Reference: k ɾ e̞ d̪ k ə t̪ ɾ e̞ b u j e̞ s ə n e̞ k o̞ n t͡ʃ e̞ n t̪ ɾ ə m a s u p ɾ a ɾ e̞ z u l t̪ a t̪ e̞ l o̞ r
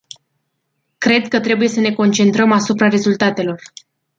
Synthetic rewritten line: k ɾ e̞ d̪ k ə t̪ ɾ e̞ b u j e̞ s ə n e̞ k o̞ n t͡ʃ e̞ n t̪ ɾ ə m a s u p ɾ a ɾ e̞ z u l t̪ a t̪ e̞ l o̞ r